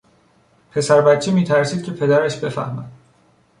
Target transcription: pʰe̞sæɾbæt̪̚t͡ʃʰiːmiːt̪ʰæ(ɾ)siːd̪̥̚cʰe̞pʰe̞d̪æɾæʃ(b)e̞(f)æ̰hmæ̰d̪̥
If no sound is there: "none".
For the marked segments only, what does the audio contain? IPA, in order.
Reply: ɾ, b, f

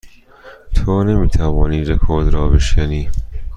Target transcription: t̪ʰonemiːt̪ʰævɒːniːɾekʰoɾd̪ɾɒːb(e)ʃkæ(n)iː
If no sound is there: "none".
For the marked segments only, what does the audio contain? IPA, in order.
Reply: e, n

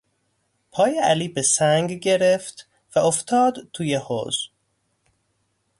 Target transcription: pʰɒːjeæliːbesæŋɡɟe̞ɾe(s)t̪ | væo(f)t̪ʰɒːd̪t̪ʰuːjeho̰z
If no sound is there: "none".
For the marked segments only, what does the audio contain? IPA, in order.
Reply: f, f

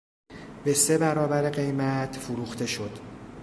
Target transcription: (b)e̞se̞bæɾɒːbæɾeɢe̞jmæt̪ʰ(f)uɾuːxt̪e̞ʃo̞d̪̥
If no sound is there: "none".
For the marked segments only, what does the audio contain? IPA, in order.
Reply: b, f

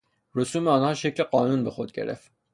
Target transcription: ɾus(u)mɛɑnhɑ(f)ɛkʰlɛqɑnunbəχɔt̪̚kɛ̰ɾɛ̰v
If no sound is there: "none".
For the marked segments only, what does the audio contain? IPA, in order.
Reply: u, ʃ

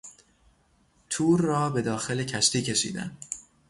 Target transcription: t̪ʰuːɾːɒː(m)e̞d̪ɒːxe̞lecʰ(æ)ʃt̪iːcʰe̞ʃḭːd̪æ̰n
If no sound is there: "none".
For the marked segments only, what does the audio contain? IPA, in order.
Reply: b, æ

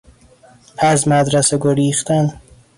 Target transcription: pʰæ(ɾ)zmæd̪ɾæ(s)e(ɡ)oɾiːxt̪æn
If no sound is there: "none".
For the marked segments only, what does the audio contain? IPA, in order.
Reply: none, s, ɡ

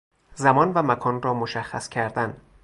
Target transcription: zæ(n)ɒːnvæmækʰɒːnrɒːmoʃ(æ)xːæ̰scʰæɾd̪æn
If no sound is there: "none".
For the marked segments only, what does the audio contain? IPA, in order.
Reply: m, æ

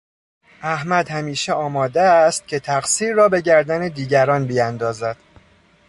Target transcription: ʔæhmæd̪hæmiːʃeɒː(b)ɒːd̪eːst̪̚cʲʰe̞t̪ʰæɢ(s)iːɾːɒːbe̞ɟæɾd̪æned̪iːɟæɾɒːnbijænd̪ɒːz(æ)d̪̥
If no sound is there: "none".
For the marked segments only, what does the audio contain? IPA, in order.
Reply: m, s, æ

